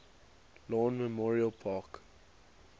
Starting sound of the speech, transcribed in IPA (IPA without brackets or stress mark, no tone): l